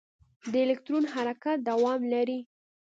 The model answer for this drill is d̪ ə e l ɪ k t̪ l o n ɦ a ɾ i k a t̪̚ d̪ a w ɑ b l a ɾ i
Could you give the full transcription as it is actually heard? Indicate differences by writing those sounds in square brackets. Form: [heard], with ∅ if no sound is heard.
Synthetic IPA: d̪ ə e l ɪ k t̪ [ɾ] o n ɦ a ɾ [a] k a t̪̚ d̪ a w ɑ [m] l a ɾ i